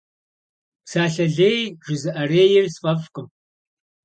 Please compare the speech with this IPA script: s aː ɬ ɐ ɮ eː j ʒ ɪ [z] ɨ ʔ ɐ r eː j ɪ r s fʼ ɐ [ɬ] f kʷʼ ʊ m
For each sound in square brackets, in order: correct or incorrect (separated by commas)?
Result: correct, incorrect